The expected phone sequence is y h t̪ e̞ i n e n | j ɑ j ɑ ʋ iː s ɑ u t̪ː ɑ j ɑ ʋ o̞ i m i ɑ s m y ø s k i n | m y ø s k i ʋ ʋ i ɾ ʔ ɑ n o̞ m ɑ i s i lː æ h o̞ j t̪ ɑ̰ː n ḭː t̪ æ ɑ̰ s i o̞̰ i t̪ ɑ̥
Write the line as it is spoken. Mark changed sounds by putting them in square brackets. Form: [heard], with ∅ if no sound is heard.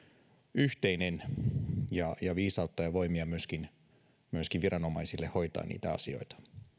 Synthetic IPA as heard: y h t̪ e̞ i n e n | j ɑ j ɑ ʋ iː s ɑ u t̪ː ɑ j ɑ ʋ o̞ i m i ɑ [∅] m y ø s k i n | m y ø s k i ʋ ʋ i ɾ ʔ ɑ n o̞ m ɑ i s i lː [e] h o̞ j t̪ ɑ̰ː n ḭː t̪ æ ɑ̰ s i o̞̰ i t̪ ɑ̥